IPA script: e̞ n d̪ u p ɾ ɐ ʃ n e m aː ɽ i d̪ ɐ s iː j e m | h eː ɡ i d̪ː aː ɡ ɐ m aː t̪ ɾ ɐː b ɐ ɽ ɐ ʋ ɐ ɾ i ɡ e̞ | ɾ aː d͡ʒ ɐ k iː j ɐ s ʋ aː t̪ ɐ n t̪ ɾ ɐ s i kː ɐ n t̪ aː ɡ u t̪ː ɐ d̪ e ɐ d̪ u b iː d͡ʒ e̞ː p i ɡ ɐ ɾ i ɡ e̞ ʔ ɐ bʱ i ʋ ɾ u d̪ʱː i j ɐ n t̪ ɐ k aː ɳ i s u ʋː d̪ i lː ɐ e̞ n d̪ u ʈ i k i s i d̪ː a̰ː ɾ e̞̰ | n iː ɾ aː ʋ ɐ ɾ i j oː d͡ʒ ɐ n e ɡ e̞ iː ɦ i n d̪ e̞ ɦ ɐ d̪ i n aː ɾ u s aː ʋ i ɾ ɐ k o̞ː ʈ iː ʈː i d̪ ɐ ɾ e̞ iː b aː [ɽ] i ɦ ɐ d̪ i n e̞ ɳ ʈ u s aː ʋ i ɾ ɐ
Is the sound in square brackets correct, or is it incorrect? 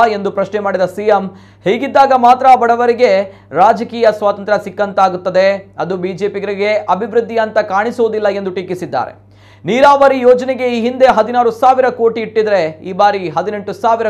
incorrect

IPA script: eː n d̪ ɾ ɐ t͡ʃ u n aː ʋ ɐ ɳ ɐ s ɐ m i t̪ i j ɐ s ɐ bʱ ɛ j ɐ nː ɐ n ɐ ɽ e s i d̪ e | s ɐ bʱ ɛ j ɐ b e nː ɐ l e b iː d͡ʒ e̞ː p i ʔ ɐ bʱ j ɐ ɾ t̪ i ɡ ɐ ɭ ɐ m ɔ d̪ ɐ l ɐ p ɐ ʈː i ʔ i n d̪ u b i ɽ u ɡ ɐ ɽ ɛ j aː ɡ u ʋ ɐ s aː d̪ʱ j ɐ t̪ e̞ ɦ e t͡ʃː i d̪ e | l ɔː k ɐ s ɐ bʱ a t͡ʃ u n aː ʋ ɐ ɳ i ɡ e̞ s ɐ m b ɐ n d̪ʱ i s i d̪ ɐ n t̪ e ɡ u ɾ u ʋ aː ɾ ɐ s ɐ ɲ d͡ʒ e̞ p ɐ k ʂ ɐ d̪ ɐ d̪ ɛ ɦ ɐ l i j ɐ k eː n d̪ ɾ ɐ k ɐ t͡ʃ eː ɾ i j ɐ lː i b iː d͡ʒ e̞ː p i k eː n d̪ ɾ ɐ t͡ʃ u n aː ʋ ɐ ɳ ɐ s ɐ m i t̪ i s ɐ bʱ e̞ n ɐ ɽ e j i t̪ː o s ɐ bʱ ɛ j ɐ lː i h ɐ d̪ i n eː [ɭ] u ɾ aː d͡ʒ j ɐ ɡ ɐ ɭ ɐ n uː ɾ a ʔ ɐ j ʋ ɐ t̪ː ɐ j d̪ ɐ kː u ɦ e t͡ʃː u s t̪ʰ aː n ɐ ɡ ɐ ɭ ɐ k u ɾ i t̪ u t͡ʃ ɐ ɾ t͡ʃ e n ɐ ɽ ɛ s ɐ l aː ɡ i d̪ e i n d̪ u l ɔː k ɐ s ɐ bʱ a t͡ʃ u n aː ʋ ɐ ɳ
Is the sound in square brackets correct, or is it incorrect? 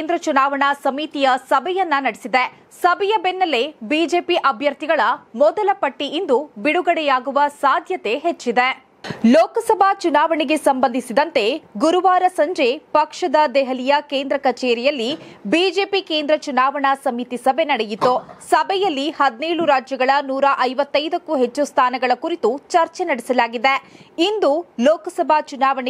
correct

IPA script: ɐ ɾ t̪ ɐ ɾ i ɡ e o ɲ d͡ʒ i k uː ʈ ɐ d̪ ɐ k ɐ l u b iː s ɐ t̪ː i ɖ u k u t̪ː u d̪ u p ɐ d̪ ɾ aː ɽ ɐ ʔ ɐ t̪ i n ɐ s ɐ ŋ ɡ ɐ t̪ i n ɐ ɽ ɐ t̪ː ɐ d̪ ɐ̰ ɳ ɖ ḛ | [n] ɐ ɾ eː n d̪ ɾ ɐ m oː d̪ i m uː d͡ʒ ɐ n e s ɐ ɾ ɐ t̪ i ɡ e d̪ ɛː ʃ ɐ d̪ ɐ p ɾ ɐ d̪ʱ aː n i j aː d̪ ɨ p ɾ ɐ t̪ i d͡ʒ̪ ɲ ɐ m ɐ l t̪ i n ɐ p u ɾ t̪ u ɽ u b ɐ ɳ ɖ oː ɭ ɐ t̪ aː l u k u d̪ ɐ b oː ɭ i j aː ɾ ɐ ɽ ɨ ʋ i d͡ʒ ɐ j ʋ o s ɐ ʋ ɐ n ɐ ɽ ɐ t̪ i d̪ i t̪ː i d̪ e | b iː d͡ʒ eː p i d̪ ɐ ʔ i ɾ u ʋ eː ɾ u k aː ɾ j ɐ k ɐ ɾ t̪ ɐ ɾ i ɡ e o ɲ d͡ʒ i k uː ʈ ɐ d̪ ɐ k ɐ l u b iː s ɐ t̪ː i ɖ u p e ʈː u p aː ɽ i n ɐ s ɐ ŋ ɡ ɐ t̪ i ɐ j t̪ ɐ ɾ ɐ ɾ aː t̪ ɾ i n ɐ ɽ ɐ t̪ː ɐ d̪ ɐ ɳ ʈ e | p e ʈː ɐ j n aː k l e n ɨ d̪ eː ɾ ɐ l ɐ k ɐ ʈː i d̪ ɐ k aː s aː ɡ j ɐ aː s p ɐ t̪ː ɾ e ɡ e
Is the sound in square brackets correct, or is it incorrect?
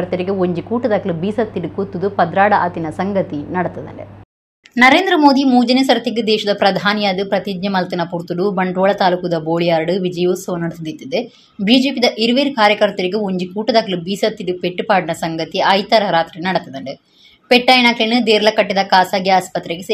correct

